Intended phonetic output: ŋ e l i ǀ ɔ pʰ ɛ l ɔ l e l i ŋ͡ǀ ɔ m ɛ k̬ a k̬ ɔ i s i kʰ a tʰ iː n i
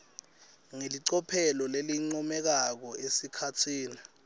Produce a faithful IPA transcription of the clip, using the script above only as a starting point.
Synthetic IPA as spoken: ŋ e l i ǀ ɔ pʰ ɛ l ɔ l e l i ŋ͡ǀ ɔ m ɛ k̬ a k̬ ɔ e s i kʰ a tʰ iː n i